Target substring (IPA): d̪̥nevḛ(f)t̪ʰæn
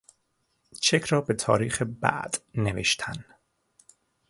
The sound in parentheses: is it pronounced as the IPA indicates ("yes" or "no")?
no